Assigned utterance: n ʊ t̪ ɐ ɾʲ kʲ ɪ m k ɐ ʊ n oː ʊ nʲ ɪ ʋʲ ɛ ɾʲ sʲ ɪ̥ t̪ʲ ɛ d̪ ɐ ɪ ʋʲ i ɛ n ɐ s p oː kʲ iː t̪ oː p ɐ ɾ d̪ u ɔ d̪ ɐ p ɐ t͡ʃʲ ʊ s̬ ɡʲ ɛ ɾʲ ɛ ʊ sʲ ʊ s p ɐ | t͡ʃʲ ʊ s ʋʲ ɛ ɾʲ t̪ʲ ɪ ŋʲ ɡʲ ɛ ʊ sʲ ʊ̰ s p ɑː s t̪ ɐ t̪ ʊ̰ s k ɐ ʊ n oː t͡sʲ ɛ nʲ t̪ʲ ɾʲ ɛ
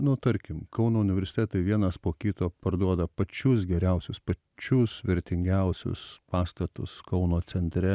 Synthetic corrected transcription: n ʊ t̪ ɐ ɾʲ kʲ ɪ m k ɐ ʊ n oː ʊ nʲ ɪ ʋʲ ɛ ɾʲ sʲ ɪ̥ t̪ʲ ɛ t̪ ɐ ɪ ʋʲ i ɛ n ɐ s p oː kʲ iː t̪ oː p ɐ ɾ d̪ u ɔ d̪ ɐ p ɐ t͡ʃʲ ʊ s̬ ɡʲ ɛ ɾʲ ɛ ʊ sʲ ʊ s p ɐ | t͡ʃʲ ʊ s ʋʲ ɛ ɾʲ t̪ʲ ɪ ŋʲ ɡʲ ɛ ʊ sʲ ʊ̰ s p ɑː s t̪ ɐ t̪ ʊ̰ s k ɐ ʊ n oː t͡sʲ ɛ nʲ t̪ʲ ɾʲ ɛ